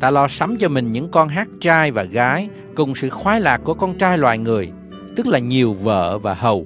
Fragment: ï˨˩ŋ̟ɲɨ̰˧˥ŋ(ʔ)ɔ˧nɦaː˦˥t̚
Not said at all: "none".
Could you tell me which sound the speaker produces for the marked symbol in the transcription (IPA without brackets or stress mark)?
k